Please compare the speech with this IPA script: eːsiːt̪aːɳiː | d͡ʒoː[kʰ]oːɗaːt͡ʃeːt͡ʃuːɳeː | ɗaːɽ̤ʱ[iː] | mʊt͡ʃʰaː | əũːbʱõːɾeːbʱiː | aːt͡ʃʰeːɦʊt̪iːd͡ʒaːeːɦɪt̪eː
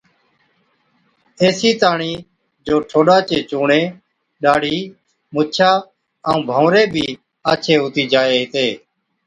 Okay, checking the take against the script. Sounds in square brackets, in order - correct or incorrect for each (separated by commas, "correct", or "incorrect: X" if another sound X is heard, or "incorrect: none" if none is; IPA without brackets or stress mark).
incorrect: ʈʰ, correct